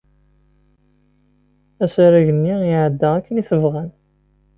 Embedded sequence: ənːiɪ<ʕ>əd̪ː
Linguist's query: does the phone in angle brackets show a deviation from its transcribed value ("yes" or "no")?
no